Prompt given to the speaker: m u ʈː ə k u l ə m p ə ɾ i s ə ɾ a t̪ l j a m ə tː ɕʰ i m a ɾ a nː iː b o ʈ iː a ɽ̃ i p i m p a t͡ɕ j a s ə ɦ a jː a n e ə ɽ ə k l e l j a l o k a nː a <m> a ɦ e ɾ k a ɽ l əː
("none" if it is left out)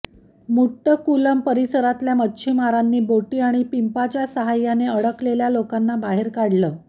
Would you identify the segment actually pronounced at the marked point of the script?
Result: b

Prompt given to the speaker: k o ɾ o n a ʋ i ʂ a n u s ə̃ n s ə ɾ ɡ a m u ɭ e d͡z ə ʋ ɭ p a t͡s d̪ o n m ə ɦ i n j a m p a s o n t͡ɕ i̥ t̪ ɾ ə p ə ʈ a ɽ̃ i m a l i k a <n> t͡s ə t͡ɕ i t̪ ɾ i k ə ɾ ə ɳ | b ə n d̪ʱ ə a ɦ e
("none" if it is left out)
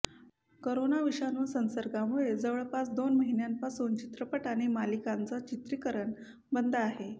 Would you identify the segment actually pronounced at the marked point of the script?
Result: n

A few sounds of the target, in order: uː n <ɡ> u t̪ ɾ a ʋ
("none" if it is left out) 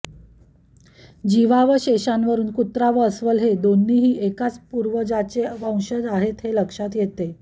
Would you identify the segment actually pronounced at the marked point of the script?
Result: k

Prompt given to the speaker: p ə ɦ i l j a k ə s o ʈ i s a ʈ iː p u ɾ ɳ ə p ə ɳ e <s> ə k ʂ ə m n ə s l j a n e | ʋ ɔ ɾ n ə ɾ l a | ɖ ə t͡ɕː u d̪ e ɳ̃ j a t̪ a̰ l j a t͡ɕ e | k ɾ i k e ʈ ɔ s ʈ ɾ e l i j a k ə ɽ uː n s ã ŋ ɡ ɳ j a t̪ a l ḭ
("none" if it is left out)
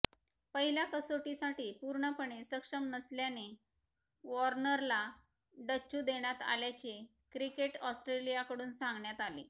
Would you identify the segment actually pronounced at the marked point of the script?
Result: s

